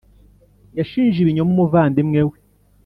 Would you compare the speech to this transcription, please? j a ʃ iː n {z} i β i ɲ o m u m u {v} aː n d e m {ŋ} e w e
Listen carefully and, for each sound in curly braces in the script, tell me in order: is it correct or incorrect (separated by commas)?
incorrect, correct, correct